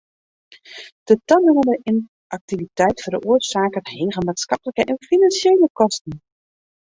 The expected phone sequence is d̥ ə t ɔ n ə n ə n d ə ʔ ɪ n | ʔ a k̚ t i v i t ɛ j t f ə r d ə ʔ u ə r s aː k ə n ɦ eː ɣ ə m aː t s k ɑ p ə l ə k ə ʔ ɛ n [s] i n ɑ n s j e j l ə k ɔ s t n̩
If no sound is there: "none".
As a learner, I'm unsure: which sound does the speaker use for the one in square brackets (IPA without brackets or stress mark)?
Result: f